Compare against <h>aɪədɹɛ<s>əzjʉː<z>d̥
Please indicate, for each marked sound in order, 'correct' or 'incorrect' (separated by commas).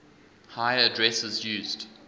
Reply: correct, correct, correct